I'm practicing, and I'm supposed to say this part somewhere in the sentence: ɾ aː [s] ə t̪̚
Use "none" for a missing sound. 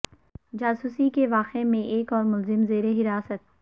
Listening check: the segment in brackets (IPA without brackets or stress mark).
s